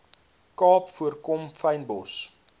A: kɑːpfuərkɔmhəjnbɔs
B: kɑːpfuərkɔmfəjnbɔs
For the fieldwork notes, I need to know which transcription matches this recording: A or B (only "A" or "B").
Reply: B